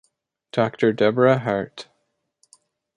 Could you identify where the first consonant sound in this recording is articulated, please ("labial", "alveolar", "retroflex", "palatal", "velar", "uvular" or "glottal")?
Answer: alveolar